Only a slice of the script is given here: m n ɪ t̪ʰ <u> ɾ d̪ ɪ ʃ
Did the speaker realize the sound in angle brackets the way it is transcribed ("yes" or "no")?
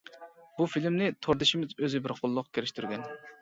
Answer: no